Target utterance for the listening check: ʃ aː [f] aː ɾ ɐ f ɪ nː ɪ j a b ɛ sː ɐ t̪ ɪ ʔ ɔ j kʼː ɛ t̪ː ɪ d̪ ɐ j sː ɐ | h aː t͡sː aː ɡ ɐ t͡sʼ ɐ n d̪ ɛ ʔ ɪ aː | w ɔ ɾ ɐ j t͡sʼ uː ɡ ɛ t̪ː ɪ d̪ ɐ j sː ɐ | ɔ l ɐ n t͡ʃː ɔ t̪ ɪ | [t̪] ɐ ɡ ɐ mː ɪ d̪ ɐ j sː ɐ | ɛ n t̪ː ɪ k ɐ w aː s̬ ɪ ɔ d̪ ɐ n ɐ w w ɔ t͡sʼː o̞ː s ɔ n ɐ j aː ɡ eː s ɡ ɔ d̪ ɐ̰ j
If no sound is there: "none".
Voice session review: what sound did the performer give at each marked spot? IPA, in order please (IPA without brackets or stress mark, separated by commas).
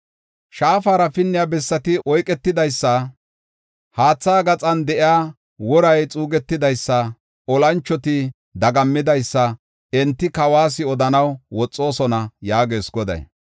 f, d̪